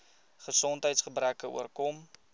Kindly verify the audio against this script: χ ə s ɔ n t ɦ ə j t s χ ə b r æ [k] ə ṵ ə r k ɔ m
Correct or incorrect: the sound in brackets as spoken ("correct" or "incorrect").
correct